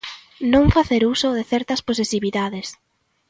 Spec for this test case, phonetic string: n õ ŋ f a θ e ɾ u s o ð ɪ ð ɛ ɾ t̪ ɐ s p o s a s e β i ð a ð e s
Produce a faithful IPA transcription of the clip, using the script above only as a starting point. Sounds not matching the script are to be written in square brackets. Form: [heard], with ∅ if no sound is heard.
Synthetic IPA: n õ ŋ f a θ e ɾ u s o ð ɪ [θ] ɛ ɾ t̪ ɐ s p o s [e] s [i] β i ð a ð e s